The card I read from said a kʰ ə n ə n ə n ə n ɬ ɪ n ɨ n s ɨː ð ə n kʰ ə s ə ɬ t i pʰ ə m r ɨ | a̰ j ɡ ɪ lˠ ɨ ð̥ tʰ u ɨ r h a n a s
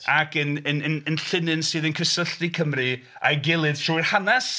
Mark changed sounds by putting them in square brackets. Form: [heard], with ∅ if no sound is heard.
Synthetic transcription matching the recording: a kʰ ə n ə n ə n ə n ɬ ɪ n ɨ n s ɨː ð ə n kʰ ə s ə ɬ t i [kʰ] ə m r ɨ | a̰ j ɡ ɪ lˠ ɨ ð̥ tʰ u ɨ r h a n a s